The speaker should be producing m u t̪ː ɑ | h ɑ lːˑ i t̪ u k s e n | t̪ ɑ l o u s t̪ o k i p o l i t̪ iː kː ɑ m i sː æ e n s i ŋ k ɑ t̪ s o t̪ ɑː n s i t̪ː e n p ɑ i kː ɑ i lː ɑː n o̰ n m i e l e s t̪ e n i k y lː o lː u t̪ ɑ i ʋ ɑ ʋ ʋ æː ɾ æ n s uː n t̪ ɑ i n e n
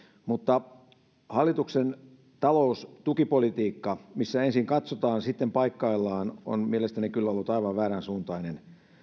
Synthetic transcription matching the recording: m u t̪ː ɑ | h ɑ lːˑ i t̪ u k s e n | t̪ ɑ l o u s t̪ u k i p o l i t̪ iː kː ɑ m i sː æ e n s i ŋ k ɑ t̪ s o t̪ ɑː n s i t̪ː e m p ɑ i kː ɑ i lː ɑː n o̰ n m i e l e s t̪ æ n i k y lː o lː u t̪ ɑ i ʋ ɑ ʋ ʋ æː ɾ æ n s uː n t̪ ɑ i n e n